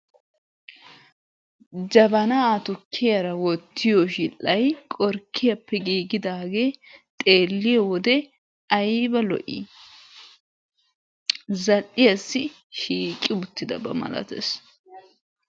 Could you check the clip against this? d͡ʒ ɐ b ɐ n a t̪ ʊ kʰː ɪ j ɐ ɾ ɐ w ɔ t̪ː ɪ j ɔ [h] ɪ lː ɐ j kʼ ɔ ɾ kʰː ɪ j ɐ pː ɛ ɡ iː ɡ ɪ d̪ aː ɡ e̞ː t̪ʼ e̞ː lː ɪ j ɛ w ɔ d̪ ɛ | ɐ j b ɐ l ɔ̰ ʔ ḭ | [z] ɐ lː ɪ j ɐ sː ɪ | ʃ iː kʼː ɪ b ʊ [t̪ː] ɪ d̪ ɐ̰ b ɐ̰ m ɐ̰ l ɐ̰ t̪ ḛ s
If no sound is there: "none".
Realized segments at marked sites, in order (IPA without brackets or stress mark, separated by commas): ʃ, z, t̪ː